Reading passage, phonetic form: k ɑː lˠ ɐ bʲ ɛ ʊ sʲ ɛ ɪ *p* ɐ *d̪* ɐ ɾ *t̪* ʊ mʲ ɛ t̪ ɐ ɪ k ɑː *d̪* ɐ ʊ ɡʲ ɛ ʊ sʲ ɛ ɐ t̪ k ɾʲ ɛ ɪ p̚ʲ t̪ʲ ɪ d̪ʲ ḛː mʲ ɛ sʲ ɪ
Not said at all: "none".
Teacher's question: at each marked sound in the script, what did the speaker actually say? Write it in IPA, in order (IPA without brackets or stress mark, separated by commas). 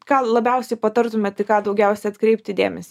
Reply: p, t̪, t̪, d̪